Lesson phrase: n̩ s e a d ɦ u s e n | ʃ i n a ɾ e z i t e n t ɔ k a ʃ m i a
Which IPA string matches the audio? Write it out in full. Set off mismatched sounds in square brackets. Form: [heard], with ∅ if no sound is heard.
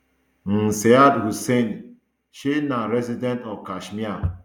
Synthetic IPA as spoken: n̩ s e a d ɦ u s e n | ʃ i n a ɾ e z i [d] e n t ɔ k a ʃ m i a

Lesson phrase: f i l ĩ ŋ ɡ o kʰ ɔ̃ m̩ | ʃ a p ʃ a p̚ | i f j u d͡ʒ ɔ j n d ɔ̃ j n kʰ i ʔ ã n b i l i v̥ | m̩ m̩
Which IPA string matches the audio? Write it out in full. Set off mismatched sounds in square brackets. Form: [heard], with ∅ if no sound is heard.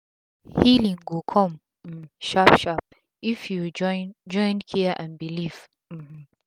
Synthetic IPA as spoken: [h] i l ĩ ŋ ɡ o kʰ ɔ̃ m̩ | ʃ a p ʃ a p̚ | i f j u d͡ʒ ɔ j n [d͡ʒ] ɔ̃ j n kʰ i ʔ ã n b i l i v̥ | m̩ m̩

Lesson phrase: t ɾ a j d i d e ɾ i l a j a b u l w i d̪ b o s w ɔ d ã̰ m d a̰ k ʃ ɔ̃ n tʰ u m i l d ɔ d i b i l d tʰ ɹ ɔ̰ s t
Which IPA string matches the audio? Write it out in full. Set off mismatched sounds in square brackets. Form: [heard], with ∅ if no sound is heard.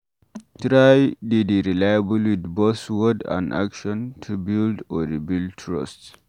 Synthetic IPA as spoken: t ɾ a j d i d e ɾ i l a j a b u l w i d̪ b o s w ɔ d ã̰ [n] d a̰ k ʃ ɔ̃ n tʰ u [b] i l d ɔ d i b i l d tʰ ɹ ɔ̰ s t

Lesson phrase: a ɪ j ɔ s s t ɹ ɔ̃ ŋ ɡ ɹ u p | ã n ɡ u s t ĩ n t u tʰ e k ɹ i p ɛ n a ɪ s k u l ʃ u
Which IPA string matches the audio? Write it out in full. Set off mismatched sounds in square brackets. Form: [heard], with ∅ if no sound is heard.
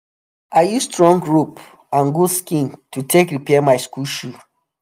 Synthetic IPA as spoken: a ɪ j [u] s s t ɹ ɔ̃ ŋ ɡ ɹ u p | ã n ɡ u s [k] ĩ n t u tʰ e k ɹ i p ɛ [m] a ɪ s k u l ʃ u

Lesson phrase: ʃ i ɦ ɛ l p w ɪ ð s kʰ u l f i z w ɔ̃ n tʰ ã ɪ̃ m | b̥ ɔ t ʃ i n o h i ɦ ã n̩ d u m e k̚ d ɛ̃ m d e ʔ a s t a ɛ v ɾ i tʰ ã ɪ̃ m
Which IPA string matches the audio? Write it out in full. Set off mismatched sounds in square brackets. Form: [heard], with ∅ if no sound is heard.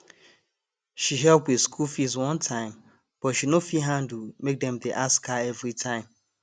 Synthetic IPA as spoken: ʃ i ɦ ɛ l p w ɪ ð s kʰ u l f i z w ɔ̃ n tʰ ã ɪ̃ m | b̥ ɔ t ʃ i n o [f] i ɦ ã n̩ d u m e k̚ d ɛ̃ m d e ʔ a s [k] a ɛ v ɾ i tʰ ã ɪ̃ m

